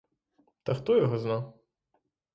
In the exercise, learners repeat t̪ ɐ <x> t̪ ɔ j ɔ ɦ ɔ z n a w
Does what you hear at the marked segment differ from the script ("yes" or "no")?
no